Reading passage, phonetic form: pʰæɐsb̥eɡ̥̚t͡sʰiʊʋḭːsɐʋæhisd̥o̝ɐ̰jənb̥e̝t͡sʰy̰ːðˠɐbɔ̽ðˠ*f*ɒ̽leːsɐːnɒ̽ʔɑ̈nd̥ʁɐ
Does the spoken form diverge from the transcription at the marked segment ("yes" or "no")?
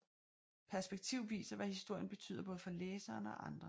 no